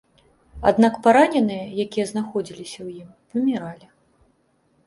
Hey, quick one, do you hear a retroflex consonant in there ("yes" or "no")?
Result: no